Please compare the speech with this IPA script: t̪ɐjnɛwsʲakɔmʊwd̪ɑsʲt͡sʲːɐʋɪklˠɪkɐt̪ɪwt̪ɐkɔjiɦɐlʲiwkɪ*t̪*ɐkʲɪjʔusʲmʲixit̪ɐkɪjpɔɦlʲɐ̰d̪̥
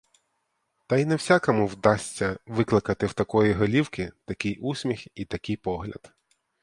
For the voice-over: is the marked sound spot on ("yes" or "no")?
yes